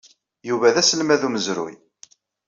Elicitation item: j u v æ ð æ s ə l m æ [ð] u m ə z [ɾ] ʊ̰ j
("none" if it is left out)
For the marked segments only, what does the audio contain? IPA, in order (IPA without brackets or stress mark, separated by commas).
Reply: ð, ɾ